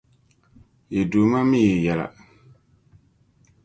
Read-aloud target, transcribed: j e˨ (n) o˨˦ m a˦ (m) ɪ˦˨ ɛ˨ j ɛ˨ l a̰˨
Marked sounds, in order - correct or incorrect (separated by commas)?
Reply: incorrect, correct